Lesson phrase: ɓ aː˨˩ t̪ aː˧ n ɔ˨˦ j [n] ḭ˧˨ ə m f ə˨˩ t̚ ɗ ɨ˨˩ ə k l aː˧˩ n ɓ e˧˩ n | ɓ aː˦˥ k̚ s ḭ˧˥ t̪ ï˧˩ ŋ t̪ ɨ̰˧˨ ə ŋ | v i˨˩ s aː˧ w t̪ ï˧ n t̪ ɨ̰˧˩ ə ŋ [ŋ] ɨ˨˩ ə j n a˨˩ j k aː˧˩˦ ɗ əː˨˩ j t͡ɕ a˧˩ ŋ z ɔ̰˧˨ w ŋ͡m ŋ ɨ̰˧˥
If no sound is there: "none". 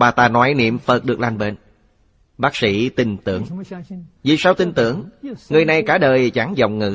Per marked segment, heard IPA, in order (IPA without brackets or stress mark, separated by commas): n, ŋ